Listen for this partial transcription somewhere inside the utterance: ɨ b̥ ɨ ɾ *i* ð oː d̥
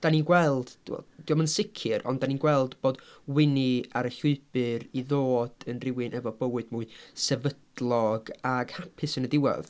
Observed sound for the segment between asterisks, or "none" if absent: i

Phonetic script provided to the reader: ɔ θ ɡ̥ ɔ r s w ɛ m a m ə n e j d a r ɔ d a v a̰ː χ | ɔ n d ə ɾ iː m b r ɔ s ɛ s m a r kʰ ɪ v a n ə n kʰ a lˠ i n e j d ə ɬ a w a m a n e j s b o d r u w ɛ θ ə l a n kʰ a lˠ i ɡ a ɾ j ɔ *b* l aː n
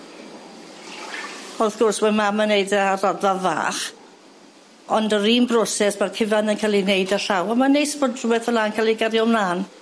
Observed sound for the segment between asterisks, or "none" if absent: m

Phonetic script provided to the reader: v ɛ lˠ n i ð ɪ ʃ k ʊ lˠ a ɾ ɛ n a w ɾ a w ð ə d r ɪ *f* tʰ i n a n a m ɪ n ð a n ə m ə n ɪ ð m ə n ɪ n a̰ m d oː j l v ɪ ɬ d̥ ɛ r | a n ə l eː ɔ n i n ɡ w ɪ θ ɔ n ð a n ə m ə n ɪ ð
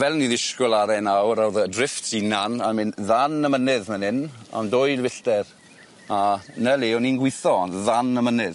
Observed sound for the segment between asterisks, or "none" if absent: f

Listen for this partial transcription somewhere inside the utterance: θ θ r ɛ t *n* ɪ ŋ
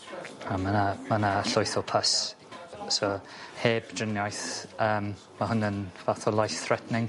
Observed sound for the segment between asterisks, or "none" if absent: n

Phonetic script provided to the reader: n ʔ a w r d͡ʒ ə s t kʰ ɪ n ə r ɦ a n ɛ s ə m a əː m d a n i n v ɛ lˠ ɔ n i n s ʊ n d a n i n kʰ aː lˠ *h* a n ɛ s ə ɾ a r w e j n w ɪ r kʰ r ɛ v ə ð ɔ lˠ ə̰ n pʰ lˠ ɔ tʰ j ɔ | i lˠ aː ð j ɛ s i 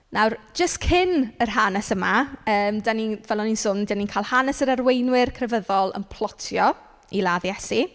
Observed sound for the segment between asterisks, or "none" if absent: h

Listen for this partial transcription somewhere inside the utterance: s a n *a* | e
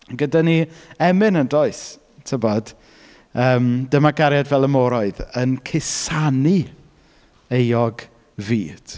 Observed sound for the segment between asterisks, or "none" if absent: i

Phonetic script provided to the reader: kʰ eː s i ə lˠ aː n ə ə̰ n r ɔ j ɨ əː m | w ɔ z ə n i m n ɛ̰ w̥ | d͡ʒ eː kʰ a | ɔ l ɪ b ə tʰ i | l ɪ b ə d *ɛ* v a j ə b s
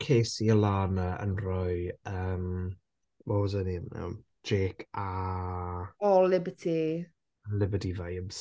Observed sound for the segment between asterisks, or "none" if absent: i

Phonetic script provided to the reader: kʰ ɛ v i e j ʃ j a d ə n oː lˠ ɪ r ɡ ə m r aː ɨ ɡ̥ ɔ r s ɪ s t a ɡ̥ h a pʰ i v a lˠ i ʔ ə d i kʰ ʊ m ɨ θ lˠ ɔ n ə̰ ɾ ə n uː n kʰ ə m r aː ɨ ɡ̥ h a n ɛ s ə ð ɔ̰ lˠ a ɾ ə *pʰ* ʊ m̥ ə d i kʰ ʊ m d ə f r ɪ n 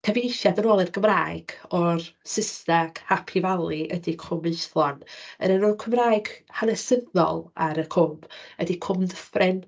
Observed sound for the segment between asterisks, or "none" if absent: kʰ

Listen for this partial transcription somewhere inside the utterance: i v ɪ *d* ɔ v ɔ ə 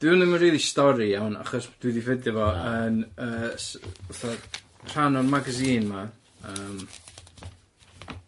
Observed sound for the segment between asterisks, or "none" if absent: d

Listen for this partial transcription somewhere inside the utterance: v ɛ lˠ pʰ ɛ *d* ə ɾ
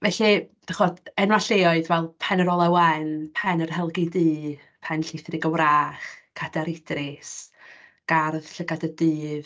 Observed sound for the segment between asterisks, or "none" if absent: n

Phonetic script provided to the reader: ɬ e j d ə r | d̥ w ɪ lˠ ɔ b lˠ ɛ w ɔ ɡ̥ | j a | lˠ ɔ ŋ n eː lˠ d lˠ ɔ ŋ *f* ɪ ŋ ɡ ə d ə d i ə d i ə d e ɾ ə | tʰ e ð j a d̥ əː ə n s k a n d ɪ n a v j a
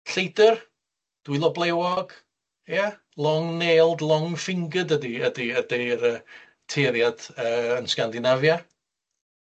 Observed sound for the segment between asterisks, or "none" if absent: f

